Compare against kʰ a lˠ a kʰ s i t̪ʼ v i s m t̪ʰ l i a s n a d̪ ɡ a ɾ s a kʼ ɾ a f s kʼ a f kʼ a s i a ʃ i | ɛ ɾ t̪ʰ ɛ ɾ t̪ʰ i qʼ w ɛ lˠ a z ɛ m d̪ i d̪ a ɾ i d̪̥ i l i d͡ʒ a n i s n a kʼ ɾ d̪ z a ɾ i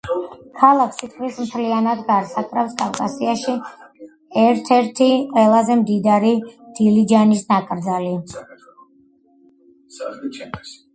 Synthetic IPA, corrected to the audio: kʰ a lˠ a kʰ s i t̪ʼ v i s m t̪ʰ l i a n a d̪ ɡ a ɾ s a kʼ ɾ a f s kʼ a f kʼ a s i a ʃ i | ɛ ɾ t̪ʰ ɛ ɾ t̪ʰ i qʼ w ɛ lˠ a z ɛ m d̪ i d̪ a ɾ i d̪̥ i l i d͡ʒ a n i s n a kʼ ɾ d̪ z a l i